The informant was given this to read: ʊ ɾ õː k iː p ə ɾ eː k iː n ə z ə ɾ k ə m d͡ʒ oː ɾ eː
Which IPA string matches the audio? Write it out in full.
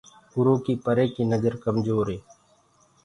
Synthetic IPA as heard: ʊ ɾ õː k iː p ə ɾ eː k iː n ə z ə ɾ k ə m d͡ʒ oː ɾ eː